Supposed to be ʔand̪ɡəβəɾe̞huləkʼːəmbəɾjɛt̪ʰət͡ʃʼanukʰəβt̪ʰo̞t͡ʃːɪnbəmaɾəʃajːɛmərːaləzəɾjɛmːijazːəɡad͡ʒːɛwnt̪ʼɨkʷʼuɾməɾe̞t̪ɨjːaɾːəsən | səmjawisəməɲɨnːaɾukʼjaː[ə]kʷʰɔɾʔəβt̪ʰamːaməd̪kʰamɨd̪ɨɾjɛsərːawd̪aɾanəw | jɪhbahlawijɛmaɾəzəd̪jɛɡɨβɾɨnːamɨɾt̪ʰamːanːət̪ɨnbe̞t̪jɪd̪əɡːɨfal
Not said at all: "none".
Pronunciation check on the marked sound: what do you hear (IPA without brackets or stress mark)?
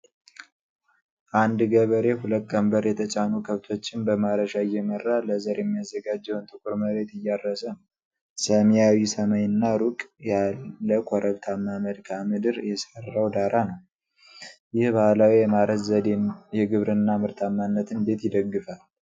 ə